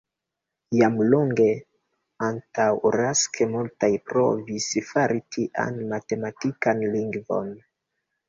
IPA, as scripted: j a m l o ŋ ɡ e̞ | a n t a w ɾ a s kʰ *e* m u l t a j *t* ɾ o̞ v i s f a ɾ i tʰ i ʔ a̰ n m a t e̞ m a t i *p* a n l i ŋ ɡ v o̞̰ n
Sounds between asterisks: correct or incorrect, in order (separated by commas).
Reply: correct, incorrect, incorrect